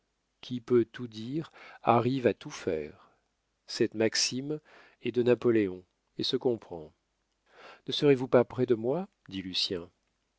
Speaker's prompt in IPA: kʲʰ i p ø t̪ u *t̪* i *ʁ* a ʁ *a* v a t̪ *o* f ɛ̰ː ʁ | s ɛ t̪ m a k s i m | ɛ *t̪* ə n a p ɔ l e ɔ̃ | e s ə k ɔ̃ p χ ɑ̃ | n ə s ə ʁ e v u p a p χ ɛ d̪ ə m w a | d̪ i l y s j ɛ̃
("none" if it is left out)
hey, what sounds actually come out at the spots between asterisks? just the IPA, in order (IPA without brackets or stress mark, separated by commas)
d̪, ʁ, i, u, d̪